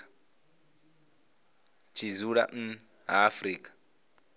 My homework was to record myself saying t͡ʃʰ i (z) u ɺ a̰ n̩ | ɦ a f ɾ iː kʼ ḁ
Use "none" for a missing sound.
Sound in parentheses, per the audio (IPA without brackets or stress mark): z